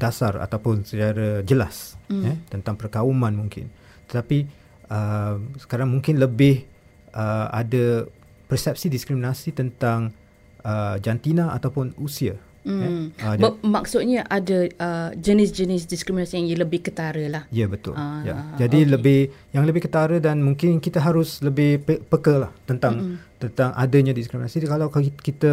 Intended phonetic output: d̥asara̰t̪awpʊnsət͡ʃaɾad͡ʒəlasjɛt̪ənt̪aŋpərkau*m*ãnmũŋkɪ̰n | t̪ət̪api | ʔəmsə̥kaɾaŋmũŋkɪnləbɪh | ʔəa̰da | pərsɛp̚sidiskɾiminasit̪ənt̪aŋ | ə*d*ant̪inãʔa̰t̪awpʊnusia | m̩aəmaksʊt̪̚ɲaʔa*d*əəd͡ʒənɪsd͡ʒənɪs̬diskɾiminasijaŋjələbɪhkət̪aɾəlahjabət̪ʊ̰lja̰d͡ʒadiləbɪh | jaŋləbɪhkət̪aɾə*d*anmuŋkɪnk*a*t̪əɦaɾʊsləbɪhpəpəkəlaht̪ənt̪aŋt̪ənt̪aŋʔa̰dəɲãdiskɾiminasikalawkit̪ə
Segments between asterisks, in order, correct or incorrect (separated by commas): correct, incorrect, correct, correct, incorrect